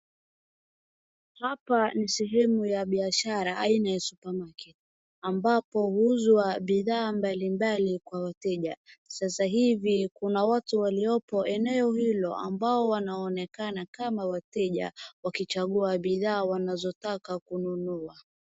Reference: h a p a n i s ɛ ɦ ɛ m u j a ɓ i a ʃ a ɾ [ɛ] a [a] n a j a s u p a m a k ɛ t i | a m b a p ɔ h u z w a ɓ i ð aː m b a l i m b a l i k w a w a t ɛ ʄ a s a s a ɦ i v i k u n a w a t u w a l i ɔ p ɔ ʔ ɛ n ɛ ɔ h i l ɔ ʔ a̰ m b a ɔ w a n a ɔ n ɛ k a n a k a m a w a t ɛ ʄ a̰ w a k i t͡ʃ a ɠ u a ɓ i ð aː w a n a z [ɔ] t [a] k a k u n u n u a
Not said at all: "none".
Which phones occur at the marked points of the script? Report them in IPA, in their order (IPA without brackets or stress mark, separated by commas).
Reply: a, i, ɔ, a